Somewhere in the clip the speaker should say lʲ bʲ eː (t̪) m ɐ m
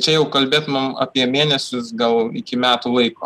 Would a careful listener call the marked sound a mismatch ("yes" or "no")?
no